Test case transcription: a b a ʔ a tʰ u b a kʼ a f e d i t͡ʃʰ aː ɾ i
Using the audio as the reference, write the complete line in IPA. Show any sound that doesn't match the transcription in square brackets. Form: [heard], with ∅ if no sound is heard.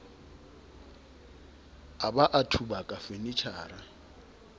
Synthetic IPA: a b a ʔ a tʰ u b a kʼ a f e [n] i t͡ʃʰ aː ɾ [a]